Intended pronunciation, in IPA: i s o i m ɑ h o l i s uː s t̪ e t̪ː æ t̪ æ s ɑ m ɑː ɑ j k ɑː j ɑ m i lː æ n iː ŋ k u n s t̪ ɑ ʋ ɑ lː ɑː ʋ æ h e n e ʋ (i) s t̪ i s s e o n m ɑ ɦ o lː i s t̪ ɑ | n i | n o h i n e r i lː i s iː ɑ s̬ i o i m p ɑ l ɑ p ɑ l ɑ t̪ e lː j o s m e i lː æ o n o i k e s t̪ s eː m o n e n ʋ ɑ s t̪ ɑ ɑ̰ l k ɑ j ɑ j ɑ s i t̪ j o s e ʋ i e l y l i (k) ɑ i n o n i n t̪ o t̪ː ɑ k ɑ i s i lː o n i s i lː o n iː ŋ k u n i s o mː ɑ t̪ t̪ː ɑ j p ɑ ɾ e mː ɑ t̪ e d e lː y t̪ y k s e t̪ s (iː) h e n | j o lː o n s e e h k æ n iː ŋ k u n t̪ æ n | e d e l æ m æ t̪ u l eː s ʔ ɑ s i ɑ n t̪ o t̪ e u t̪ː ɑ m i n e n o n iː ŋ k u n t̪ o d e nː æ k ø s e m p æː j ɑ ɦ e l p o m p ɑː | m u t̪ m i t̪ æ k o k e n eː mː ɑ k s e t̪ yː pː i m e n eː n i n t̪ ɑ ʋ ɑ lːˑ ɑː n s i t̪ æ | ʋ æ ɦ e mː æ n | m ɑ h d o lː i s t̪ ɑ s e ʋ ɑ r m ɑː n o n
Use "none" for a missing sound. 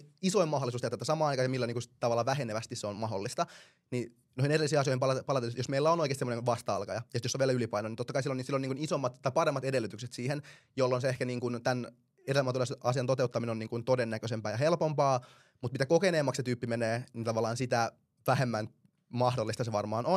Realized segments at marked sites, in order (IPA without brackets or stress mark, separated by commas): æ, p, iː